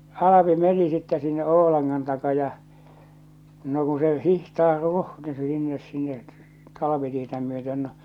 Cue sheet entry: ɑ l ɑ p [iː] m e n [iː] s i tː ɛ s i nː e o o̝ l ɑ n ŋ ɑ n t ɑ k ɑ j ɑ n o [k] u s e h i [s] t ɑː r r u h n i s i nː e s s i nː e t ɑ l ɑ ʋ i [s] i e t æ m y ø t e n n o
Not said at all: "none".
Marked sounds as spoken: i, i, k, h, t

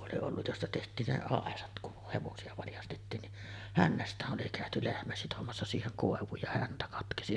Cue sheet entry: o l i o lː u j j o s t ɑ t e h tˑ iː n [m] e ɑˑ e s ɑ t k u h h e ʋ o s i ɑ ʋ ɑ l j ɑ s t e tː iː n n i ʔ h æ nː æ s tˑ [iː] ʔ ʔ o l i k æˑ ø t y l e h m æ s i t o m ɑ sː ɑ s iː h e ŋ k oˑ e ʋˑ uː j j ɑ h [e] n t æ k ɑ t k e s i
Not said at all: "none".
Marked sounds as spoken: n, æː, æ

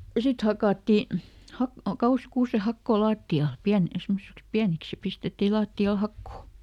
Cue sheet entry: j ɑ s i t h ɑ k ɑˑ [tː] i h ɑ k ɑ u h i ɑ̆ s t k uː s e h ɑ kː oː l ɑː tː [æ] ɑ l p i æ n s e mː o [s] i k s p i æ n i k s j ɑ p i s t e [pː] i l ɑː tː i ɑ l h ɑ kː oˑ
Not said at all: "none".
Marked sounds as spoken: tː, i, s, tː

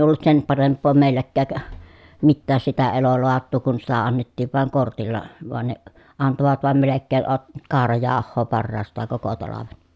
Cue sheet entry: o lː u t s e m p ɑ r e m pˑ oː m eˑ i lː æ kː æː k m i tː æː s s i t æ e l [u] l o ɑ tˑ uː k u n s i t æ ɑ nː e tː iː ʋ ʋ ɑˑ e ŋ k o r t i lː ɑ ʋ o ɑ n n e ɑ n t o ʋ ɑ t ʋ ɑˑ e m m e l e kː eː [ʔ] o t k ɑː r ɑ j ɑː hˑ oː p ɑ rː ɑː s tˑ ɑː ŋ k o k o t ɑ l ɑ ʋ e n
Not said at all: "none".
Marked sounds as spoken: o, ʔ

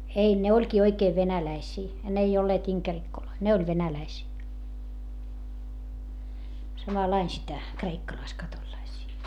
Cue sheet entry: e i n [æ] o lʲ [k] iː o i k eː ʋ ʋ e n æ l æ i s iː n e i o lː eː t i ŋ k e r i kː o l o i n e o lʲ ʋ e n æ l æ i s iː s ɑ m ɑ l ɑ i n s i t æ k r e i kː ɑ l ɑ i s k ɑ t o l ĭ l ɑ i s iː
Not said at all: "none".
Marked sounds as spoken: e, k

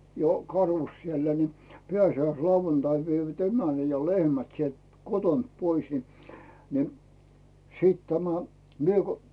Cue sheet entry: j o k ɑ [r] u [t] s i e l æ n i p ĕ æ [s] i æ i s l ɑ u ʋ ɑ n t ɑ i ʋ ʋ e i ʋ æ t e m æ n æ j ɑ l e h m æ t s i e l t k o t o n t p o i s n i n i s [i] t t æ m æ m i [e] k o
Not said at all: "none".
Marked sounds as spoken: r, s, s, iː, e

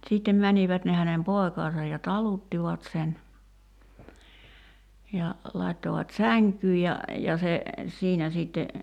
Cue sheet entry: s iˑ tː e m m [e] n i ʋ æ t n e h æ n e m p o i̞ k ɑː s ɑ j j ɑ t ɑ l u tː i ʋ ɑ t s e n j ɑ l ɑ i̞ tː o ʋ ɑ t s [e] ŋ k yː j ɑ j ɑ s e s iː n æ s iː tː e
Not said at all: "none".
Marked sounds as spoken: æ, æ

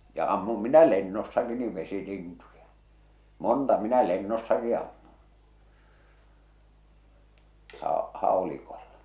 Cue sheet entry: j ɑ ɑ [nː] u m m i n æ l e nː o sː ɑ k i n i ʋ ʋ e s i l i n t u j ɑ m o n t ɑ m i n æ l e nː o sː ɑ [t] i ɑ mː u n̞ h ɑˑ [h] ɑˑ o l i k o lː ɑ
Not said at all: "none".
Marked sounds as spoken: mː, k, h

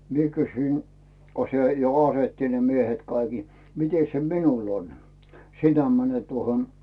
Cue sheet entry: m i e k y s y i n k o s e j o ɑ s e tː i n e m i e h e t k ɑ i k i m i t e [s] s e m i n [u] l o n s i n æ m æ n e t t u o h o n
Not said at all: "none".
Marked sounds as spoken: s, u

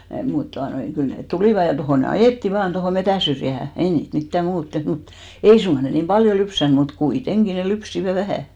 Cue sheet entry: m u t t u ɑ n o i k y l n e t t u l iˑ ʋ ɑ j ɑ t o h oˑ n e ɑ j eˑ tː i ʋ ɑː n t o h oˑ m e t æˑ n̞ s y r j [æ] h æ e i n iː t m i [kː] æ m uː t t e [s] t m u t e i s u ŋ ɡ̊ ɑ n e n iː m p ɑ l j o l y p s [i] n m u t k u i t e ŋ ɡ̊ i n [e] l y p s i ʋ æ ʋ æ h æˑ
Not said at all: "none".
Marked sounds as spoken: æ, tː, h, æ, e

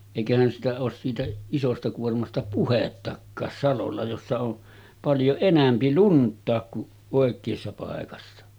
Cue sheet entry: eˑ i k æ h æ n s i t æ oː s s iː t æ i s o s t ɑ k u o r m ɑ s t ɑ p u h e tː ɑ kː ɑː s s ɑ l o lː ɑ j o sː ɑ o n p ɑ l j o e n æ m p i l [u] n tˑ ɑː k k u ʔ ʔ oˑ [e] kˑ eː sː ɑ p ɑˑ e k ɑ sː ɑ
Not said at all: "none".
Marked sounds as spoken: u, e

